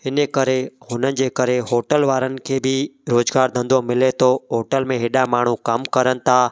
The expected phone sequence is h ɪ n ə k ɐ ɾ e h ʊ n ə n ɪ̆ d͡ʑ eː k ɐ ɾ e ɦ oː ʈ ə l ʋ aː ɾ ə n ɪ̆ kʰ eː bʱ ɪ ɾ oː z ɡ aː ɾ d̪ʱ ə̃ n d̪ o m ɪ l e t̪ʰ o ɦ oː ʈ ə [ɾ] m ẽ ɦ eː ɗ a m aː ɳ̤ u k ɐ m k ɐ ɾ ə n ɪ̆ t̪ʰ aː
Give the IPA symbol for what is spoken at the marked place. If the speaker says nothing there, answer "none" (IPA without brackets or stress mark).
l